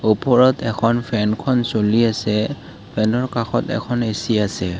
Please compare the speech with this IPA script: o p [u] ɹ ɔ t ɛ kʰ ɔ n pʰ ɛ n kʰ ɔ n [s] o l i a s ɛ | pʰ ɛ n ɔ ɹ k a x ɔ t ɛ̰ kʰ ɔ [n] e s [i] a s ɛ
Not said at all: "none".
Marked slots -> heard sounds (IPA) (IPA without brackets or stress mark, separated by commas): ɔ, s, n, i